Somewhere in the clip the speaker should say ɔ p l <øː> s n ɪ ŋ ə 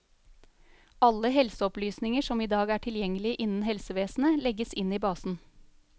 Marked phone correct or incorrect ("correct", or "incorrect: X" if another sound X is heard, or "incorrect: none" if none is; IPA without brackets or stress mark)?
incorrect: yː